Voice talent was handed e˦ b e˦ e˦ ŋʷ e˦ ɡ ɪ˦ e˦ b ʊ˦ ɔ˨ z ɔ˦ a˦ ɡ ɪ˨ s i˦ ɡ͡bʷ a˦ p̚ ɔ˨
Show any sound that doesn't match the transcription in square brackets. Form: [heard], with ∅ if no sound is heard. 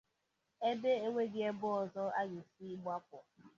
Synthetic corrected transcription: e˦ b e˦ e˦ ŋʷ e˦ ɡ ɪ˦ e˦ b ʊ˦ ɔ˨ z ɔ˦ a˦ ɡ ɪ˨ s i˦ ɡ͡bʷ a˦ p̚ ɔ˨